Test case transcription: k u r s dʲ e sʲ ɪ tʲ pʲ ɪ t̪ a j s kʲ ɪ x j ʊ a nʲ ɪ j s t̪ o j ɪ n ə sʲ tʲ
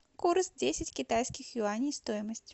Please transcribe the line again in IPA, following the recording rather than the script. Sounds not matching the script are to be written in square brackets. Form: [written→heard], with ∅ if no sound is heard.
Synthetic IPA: k u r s dʲ e sʲ ɪ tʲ [pʲ→kʲ] ɪ t̪ a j s kʲ ɪ x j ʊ a nʲ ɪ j s t̪ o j ɪ [n→m] ə sʲ tʲ